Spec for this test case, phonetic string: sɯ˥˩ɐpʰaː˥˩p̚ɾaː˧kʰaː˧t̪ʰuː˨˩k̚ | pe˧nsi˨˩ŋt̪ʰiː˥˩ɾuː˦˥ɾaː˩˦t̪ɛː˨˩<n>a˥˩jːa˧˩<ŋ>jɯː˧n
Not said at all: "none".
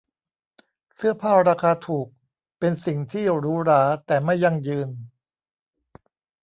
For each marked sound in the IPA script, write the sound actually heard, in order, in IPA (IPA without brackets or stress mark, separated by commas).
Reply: m, ŋ